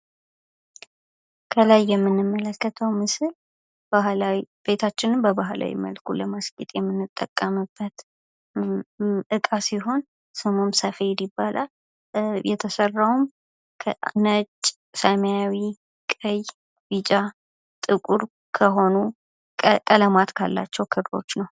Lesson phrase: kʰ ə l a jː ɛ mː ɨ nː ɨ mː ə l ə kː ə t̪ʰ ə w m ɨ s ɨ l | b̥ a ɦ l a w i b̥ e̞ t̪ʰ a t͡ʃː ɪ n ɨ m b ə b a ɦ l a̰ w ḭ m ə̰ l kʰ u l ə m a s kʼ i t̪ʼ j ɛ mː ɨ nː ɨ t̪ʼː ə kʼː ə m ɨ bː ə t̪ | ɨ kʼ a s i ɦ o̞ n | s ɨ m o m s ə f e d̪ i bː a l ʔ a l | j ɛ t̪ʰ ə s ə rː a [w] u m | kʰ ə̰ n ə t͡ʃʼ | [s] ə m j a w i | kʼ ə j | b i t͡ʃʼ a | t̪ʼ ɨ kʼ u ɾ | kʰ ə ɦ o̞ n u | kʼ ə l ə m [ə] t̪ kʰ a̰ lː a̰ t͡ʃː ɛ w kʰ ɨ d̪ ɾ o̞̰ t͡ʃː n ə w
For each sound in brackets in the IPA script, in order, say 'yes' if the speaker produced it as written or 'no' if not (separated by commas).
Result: yes, yes, no